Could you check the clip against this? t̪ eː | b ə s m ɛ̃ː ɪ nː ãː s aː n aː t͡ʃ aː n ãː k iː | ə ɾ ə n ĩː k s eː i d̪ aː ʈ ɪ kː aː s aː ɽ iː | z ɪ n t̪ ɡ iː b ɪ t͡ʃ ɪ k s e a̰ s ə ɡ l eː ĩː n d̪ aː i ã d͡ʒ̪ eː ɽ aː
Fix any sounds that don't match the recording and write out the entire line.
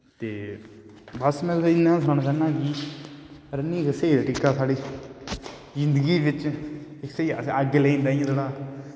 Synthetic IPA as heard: t̪ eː | b ə s m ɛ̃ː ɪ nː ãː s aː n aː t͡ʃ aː n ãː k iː | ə ɾ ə n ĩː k s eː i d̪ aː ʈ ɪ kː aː s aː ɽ iː | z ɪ n d̪ ɡ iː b ɪ t͡ʃ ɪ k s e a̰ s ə ɡ l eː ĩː n d̪ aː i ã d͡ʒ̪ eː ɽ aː